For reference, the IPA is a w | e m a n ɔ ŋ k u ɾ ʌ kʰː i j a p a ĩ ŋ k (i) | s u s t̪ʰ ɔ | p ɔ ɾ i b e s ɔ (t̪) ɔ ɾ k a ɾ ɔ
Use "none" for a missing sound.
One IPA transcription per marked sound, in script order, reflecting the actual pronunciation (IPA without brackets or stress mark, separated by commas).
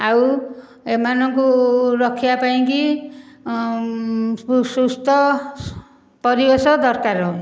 i, d̪